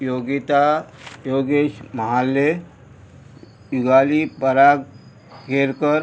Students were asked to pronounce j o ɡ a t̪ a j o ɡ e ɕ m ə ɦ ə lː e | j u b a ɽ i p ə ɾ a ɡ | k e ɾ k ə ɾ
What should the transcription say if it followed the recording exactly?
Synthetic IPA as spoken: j o ɡ i t̪ a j o ɡ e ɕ m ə ɦ a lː e | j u ɡ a l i p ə ɾ a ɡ | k e ɾ k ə ɾ